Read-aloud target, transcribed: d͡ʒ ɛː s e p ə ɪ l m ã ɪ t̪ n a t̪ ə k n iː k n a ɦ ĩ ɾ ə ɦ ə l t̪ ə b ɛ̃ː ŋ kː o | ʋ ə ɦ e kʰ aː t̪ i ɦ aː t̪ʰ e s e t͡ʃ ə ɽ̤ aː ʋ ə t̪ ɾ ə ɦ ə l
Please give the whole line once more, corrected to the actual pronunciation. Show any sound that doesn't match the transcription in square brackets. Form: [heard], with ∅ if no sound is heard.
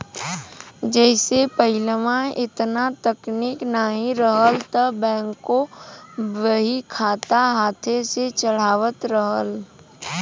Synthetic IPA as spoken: d͡ʒ ɛː s e p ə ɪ l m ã ɪ t̪ n a t̪ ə k n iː k n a ɦ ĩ ɾ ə ɦ ə l t̪ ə b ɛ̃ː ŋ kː o | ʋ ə ɦ [i] kʰ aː t̪ [a] ɦ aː t̪ʰ e s e t͡ʃ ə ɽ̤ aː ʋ ə t̪ ɾ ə ɦ ə l